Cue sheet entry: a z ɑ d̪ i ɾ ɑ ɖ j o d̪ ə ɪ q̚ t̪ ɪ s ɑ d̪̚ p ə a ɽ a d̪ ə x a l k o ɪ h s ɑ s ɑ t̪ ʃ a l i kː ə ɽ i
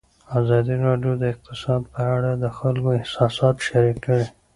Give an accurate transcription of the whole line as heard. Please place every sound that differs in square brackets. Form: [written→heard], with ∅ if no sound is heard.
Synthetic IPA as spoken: a z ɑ d̪ i ɾ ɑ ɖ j o d̪ ə ɪ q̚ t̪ ɪ s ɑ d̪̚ p ə a ɽ a d̪ ə x a l k o ɪ h s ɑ s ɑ t̪ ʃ a [l→ɾ] i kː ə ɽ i